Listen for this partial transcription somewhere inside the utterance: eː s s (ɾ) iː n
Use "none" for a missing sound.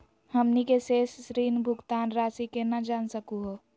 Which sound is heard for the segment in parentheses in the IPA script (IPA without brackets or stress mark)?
ɾ